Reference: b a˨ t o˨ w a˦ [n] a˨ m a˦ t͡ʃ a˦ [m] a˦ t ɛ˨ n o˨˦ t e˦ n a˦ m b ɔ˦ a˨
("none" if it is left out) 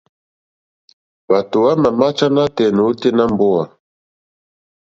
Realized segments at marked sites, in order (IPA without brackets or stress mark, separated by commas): m, n